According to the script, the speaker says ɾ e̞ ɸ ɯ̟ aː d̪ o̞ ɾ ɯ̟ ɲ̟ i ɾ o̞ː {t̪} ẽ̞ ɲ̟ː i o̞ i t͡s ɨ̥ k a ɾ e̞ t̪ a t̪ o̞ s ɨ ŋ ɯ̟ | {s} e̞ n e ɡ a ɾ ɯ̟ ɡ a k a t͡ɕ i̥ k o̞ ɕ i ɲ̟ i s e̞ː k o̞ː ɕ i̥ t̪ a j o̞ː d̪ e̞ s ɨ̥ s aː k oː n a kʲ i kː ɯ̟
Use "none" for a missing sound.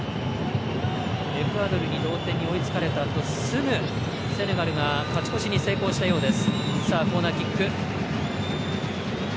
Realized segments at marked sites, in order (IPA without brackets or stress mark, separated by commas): t̪, s